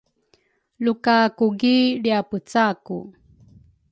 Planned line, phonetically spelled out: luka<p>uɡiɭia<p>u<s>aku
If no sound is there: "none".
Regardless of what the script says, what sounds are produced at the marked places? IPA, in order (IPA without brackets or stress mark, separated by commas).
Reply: k, p, t͡s